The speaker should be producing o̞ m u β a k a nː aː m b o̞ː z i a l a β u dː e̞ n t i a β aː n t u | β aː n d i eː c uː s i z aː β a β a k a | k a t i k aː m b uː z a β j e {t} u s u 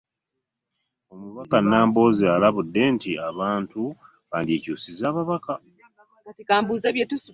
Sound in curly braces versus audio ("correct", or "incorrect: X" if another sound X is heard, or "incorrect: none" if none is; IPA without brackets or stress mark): correct